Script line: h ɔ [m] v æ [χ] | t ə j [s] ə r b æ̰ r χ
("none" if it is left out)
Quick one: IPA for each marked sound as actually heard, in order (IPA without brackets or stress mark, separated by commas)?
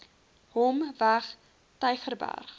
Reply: m, χ, χ